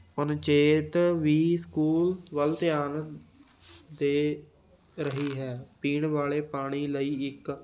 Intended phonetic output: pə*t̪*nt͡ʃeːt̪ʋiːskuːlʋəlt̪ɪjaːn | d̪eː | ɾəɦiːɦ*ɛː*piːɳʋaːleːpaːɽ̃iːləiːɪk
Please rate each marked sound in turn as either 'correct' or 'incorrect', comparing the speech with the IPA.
incorrect, correct

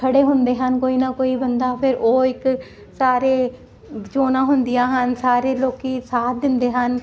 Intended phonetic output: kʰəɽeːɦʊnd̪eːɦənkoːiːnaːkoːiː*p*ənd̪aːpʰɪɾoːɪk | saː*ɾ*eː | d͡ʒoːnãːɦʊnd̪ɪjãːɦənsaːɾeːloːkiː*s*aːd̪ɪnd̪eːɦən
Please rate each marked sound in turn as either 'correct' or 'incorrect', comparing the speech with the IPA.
incorrect, correct, correct

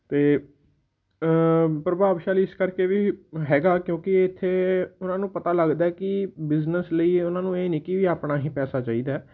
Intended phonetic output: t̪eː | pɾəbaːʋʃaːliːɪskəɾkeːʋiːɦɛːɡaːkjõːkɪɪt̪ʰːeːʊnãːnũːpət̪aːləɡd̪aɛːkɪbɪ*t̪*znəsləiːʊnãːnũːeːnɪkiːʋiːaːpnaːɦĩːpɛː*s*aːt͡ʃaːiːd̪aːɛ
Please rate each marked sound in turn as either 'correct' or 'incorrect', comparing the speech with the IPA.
incorrect, correct

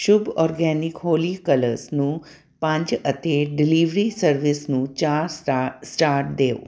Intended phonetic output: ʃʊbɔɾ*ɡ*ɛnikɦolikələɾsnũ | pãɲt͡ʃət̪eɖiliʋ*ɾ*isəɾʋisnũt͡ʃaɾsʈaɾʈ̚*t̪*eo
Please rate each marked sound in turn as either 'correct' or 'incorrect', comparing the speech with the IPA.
correct, correct, incorrect

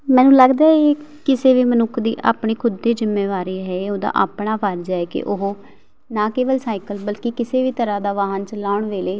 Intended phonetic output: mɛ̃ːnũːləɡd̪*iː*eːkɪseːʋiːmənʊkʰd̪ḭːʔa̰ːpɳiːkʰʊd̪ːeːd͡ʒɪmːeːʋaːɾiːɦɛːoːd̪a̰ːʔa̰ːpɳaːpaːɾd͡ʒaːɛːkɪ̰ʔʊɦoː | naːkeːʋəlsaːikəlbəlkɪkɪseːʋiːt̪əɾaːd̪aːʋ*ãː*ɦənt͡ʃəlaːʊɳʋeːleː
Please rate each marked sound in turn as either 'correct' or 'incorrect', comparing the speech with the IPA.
incorrect, incorrect

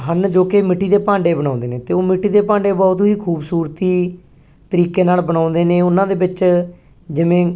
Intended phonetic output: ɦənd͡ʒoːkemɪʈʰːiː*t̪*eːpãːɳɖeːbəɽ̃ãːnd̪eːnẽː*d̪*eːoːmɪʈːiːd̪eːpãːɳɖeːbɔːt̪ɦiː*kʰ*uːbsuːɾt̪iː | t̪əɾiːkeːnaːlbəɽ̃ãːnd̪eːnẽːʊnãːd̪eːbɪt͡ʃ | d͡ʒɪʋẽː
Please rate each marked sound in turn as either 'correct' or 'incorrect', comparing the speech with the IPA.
incorrect, incorrect, correct

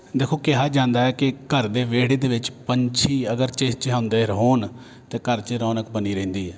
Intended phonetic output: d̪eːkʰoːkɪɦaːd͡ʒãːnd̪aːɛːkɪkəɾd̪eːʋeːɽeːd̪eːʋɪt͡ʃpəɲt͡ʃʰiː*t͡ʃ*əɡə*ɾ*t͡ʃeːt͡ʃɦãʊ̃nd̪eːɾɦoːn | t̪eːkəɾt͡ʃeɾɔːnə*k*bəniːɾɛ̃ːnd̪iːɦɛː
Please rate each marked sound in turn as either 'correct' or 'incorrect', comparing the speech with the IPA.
incorrect, correct, correct

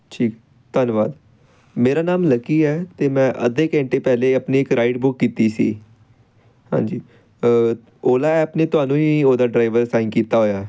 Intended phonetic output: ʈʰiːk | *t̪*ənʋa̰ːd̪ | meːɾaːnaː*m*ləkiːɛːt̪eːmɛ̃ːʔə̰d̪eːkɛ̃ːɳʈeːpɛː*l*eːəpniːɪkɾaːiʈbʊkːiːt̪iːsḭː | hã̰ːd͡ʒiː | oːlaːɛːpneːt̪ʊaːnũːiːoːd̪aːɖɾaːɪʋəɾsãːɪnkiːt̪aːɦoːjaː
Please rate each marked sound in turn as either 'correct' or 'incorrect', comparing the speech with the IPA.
correct, correct, correct

